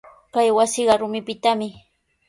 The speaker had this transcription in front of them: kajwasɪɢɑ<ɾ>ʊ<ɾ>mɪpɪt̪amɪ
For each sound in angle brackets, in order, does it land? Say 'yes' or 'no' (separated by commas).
yes, no